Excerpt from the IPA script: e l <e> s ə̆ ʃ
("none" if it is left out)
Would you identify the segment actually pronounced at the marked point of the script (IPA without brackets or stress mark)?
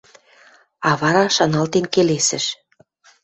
e